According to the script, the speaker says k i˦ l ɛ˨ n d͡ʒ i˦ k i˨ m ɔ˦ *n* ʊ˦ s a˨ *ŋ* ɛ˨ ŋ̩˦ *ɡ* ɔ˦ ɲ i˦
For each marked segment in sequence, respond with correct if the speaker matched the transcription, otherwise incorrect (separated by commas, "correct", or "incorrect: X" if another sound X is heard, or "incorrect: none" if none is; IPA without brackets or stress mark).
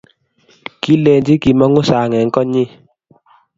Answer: incorrect: ŋ, correct, incorrect: k